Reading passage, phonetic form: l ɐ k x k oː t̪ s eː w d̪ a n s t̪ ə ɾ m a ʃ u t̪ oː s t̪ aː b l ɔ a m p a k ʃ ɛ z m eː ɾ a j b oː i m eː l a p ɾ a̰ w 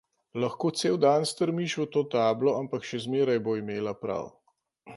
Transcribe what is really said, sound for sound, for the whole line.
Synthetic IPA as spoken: l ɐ x k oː t̪ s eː w d̪ a n s t̪ ə ɾ m i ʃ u t̪ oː t̪ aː b l ɔ a m p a k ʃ ɛ z m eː ɾ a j b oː i m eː l a p ɾ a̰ w

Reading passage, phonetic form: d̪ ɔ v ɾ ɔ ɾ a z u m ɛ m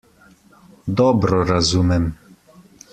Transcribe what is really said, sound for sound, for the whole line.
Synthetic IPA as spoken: d̪ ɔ b ɾ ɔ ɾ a z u m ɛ m

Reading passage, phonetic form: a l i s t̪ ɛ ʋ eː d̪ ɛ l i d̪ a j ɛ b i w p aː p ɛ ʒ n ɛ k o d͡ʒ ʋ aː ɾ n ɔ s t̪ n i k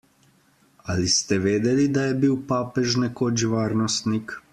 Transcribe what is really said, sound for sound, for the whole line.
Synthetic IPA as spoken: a l i s t̪ ɛ ʋ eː d̪ ɛ l i d̪ a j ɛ b i w p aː p ɛ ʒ n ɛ k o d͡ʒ ʋ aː ɾ n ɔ s t̪ n i k

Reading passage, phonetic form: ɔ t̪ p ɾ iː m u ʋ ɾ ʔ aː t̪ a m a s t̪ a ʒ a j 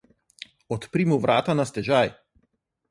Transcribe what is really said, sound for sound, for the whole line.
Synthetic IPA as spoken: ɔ t̪ p ɾ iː m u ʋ ɾ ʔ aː t̪ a n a s t̪ ɛ ʒ a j

